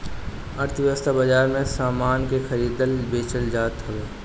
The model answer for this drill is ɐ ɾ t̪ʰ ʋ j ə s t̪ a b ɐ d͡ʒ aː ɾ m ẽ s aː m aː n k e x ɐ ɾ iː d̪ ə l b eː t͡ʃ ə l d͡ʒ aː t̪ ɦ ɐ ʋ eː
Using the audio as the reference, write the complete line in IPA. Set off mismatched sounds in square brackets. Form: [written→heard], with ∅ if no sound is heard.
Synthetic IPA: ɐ ɾ t̪ʰ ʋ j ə s t̪ a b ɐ d͡ʒ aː ɾ m ẽ s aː m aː n k e x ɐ ɾ iː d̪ ə l b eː t͡ʃ ə l d͡ʒ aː t̪ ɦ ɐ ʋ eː